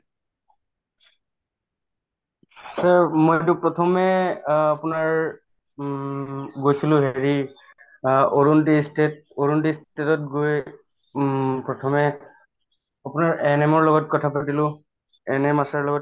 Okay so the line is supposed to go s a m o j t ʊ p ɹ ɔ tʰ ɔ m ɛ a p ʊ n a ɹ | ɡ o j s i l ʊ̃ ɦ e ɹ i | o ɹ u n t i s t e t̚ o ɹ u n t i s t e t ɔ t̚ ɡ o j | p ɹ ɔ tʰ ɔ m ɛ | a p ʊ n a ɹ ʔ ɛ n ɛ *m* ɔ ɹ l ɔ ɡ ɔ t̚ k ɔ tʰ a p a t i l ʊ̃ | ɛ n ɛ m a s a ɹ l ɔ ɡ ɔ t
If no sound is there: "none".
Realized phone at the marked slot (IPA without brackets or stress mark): m